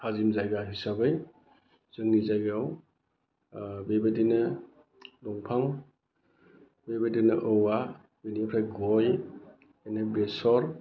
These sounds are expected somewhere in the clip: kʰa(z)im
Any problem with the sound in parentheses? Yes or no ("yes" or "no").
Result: no